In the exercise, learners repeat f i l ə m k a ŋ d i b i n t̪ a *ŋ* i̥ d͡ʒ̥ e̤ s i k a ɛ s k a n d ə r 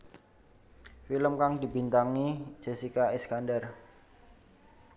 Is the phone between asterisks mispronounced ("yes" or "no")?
no